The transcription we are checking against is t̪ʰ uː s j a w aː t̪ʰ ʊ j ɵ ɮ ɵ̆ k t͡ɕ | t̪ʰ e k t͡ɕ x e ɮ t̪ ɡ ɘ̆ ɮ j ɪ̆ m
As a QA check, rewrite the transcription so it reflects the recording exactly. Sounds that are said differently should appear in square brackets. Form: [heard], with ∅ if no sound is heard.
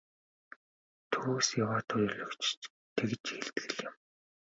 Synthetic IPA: t̪ʰ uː s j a w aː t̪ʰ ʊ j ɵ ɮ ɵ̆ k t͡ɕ | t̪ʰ e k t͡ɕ x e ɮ t̪ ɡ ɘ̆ ɮ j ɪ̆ m

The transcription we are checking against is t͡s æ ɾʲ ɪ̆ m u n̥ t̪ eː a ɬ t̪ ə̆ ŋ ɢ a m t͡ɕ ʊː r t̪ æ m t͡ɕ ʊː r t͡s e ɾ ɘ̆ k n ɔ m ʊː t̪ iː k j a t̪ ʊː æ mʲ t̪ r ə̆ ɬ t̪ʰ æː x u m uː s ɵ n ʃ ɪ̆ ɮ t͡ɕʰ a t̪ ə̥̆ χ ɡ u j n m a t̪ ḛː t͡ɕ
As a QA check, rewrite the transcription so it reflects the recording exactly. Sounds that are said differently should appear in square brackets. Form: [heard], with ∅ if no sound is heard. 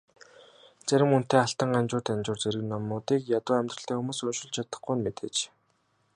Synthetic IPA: t͡s æ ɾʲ ɪ̆ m u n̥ t̪ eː a ɬ t̪ ə̆ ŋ ɢ a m t͡ɕ ʊː r t̪ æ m t͡ɕ ʊː r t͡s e ɾ ɘ̆ k n ɔ m ʊː t̪ iː k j a t̪ ʊː æ mʲ t̪ r ə̆ ɬ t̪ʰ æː x u m uː s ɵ n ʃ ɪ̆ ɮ t͡ɕʰ a t̪ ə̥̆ χ ɡ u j n m [e] t̪ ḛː t͡ɕ

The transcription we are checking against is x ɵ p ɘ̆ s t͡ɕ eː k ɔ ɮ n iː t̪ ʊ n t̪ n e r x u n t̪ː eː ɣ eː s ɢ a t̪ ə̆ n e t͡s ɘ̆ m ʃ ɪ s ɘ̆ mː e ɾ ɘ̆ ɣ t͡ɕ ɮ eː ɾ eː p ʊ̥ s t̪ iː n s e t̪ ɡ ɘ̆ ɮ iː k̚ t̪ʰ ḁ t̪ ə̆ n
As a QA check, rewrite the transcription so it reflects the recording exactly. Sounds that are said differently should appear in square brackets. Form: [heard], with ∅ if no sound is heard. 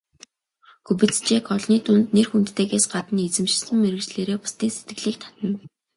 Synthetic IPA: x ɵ p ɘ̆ [t͡s] t͡ɕ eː k ɔ ɮ n iː t̪ ʊ n t̪ n e r x u n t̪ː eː ɣ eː s ɢ a t̪ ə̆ n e t͡s ɘ̆ m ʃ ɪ s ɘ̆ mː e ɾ ɘ̆ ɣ t͡ɕ ɮ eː ɾ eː p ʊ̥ s t̪ iː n s e t̪ ɡ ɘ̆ ɮ iː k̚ t̪ʰ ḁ t̪ ə̆ n

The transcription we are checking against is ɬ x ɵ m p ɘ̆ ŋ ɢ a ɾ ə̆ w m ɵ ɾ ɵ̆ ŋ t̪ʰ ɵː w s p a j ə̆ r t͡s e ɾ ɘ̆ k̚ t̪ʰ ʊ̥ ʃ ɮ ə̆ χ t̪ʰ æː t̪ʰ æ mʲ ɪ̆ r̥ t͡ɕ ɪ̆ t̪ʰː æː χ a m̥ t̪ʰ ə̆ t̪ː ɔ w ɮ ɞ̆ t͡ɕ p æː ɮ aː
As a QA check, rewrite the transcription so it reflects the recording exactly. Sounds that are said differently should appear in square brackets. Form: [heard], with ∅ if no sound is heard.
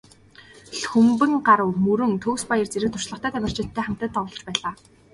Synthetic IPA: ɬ x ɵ m p ɘ̆ ŋ ɢ a ɾ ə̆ w m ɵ ɾ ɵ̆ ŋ t̪ʰ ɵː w s p a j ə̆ r t͡s e ɾ ɘ̆ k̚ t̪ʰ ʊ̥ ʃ ɮ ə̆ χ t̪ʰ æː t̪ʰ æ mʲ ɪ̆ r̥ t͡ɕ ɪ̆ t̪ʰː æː χ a m̥ [t̪] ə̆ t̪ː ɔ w ɮ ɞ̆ t͡ɕ p æː ɮ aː

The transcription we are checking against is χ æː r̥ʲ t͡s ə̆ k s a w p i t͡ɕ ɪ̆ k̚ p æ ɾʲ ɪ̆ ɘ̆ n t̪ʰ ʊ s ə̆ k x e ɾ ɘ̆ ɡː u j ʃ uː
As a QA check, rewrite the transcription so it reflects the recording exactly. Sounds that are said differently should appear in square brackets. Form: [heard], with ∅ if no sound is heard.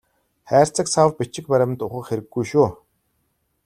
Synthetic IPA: χ æː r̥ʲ t͡s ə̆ k s a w p i t͡ɕ ɪ̆ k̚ p æ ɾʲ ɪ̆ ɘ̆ n [t̪] ʊ [χ] ə̆ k x e ɾ ɘ̆ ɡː u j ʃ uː

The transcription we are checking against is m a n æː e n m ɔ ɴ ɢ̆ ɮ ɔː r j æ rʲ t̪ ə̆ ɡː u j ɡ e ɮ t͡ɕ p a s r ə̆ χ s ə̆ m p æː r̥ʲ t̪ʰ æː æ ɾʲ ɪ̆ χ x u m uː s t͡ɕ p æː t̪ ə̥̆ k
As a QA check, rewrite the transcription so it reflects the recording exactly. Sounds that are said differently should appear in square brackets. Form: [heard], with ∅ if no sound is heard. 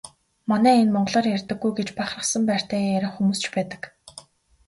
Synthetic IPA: m a n æː e n m ɔ ɴ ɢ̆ ɮ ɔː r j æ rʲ t̪ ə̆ ɡː u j ɡ e [∅] t͡ɕ p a [χ] r ə̆ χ s ə̆ m p æː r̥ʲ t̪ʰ æː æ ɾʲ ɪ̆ χ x u m uː s t͡ɕ p æː t̪ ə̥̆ k

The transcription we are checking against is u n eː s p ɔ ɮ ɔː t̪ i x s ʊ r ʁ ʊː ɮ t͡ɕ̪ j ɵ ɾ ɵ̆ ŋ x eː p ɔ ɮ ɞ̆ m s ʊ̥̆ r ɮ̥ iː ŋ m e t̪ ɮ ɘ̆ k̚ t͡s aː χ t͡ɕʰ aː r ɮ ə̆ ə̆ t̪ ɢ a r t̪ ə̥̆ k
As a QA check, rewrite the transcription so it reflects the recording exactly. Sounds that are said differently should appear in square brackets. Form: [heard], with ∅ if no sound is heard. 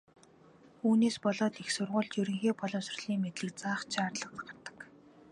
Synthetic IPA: [uː] n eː s p ɔ ɮ ɔː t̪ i x s ʊ r ʁ ʊː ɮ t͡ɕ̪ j ɵ ɾ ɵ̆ ŋ x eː p ɔ ɮ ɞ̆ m s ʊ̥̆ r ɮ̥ iː ŋ m e t̪ ɮ ɘ̆ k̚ t͡s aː χ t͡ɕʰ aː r ɮ ə̆ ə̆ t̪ ɢ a r t̪ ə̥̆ k

